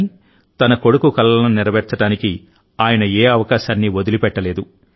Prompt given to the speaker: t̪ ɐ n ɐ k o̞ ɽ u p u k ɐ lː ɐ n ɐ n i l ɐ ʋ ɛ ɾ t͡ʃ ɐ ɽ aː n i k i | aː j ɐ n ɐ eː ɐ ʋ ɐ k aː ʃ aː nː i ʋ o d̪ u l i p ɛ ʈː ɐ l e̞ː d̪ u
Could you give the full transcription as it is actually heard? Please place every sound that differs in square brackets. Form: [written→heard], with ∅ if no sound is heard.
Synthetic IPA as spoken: t̪ ɐ n ɐ k o̞ ɽ u [p→k] u k ɐ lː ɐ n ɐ n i [l→ɾ] ɐ ʋ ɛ ɾ t͡ʃ ɐ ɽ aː n i k i | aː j ɐ n ɐ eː ɐ ʋ ɐ k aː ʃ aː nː i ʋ o d̪ u l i p ɛ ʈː ɐ l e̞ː d̪ u